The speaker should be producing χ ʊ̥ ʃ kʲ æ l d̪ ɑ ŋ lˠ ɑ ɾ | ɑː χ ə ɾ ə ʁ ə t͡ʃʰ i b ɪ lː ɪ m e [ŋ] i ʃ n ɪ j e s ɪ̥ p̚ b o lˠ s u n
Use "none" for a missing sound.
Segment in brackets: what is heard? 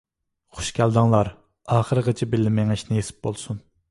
ŋ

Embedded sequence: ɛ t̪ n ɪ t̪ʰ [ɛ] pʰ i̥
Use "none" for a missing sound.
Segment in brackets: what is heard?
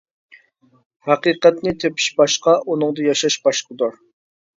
e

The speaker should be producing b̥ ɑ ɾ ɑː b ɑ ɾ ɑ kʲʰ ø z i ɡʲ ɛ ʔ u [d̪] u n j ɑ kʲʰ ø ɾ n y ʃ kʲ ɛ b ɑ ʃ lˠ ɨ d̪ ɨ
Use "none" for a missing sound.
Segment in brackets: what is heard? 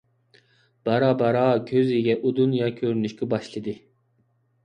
d̪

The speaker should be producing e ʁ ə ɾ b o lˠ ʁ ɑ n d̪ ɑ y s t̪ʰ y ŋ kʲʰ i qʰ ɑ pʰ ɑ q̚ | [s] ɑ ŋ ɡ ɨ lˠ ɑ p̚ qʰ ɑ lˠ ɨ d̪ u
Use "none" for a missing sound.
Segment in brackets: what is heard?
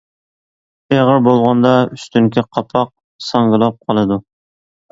s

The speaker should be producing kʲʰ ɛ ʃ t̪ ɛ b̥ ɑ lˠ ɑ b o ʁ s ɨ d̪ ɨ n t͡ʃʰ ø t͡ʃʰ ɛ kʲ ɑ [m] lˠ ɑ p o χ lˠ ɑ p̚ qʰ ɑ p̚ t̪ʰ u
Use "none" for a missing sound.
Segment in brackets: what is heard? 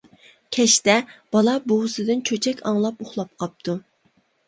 ŋ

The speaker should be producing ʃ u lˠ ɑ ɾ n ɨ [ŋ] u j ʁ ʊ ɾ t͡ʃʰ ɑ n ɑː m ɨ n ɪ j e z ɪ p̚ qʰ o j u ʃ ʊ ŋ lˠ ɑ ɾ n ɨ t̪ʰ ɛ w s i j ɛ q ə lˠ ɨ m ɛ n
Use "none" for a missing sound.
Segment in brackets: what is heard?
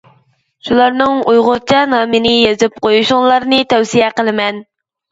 ŋ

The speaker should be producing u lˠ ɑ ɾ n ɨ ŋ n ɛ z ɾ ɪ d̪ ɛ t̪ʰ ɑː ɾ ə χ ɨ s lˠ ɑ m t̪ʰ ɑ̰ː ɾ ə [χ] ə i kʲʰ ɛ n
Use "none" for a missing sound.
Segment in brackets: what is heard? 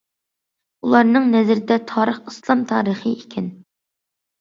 χ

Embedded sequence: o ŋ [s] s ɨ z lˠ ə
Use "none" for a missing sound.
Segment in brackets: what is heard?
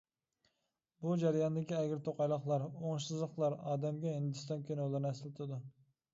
ʃ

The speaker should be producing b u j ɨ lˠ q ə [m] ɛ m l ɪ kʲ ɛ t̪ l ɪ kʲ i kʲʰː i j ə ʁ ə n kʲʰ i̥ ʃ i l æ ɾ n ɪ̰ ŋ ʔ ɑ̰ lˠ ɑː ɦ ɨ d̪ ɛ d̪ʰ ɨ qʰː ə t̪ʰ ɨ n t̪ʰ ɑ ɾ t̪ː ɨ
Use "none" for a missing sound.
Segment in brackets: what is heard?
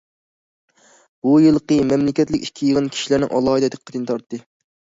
m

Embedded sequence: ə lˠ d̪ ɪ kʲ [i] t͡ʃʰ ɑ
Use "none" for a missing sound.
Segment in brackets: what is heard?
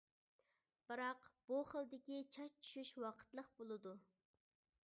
i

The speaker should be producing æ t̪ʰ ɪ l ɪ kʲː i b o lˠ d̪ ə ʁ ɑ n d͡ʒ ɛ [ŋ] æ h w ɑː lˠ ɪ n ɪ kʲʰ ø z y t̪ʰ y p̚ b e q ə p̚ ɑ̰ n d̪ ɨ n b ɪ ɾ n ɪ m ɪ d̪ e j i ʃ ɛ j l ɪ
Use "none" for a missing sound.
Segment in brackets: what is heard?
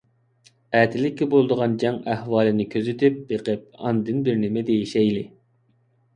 ŋ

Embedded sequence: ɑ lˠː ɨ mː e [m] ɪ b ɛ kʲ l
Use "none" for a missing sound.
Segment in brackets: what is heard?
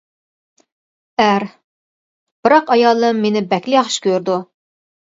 n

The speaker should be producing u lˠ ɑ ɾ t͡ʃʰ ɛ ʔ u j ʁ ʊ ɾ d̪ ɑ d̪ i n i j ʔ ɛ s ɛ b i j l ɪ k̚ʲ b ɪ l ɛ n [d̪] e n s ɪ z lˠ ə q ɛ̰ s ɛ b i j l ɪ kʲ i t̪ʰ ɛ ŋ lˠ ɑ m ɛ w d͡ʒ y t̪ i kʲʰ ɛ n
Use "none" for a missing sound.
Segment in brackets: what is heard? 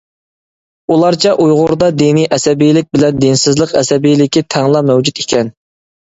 d̪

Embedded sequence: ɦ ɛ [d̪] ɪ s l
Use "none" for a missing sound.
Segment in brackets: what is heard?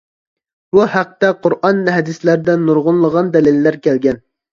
d̪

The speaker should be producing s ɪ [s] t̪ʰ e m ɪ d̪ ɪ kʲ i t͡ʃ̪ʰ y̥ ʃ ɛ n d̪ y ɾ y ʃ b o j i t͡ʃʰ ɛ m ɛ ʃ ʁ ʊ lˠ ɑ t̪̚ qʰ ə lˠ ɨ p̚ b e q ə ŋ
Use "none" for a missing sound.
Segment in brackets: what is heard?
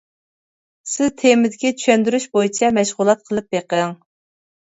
z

